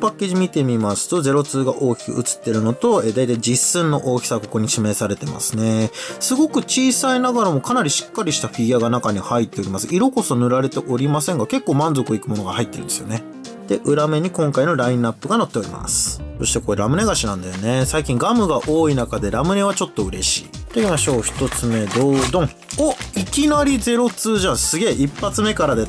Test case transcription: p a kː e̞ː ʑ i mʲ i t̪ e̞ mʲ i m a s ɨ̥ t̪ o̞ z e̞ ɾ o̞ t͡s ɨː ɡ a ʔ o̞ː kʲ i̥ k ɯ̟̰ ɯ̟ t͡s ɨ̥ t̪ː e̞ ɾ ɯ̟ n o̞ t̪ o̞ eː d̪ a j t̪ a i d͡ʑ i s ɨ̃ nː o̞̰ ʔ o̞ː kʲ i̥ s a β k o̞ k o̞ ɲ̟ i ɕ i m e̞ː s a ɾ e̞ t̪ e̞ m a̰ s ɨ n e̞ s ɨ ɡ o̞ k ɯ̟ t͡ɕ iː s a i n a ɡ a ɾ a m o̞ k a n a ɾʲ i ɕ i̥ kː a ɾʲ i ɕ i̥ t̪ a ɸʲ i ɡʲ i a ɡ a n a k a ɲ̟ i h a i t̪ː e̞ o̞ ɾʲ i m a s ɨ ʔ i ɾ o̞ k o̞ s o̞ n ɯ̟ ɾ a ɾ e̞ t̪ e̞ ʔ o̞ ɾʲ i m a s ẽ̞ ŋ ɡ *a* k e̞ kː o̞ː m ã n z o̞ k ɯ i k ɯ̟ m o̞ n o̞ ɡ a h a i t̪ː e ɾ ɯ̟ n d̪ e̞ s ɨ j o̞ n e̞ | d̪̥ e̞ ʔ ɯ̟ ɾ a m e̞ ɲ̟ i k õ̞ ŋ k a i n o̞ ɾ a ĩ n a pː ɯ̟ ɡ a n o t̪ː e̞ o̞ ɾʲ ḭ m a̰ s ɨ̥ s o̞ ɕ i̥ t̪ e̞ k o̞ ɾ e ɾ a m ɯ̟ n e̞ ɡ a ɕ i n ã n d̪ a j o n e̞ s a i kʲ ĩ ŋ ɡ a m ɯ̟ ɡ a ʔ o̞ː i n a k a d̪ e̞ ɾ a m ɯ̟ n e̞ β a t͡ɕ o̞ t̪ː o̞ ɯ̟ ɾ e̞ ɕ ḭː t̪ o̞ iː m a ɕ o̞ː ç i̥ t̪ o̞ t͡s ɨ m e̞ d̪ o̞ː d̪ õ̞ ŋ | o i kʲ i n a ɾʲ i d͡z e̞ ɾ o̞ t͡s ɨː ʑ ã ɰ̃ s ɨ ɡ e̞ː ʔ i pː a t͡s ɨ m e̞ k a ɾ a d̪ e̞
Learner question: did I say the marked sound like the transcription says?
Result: yes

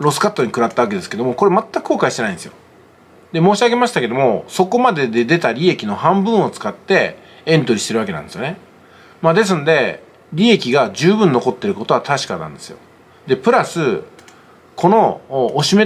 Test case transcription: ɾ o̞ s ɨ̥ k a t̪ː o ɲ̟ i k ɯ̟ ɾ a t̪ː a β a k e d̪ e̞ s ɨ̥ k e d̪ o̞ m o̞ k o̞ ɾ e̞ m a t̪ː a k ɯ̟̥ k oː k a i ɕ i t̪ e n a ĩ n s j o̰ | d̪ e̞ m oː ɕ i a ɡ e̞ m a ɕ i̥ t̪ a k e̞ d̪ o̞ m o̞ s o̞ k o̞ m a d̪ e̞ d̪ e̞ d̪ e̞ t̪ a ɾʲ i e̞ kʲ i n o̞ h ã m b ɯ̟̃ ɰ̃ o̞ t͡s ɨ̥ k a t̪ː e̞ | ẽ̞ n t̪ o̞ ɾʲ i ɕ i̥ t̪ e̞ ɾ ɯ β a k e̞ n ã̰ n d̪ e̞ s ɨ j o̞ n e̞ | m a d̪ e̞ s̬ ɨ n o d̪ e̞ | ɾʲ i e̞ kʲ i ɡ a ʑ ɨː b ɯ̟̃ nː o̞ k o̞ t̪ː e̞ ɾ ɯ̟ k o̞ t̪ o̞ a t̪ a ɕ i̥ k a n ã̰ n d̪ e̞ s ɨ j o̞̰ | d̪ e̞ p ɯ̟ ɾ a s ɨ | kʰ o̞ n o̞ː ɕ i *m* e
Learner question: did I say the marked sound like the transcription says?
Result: yes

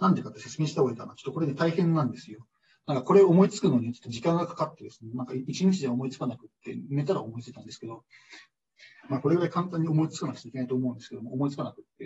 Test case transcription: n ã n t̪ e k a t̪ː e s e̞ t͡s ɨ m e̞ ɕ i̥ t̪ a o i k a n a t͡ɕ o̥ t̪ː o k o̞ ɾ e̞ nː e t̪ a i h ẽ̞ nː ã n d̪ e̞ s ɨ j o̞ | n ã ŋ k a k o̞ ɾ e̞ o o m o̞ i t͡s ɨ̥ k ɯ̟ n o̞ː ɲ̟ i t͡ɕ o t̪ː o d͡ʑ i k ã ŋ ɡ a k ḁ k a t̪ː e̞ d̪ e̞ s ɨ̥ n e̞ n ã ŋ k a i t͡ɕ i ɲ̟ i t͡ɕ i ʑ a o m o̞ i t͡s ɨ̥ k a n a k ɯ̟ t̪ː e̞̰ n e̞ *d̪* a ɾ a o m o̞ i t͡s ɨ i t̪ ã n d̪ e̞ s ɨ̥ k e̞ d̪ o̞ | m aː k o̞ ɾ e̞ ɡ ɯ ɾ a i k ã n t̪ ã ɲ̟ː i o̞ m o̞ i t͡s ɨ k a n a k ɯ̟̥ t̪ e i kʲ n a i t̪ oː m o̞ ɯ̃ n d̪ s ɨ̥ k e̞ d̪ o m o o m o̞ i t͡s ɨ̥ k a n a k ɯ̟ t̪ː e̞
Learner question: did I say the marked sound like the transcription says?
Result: no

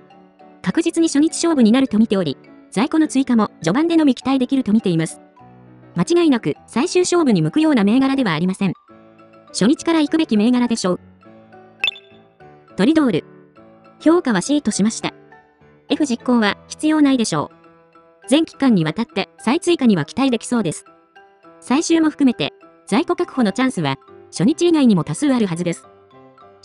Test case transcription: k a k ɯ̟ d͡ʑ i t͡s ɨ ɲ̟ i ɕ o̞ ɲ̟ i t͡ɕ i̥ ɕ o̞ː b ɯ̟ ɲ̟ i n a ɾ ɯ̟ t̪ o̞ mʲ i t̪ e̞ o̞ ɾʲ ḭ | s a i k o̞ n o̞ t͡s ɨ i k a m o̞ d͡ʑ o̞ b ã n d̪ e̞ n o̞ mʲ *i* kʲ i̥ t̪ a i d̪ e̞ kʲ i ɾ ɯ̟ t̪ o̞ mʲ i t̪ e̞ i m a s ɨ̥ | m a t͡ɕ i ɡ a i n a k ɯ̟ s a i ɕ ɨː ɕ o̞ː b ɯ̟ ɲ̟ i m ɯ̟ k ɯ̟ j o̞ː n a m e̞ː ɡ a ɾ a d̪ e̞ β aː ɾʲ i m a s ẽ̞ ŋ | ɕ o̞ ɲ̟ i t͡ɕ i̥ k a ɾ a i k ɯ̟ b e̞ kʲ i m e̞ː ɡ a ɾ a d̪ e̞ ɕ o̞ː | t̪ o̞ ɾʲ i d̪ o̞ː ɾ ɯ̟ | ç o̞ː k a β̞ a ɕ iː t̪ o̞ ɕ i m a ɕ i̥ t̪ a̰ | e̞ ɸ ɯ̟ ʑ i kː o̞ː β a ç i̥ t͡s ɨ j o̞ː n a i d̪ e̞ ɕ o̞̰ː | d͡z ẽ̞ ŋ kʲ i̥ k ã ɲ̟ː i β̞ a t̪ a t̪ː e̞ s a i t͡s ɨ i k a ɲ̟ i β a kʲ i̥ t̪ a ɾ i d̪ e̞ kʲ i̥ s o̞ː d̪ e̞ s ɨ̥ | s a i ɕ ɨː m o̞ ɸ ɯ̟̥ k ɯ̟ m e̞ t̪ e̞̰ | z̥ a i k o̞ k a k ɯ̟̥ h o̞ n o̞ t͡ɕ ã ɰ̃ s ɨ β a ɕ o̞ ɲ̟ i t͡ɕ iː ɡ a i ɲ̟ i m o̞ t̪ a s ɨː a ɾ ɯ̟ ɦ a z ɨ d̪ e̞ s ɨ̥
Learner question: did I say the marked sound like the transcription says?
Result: yes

